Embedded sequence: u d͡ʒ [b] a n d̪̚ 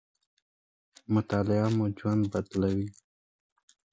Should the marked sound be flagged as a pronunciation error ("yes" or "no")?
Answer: yes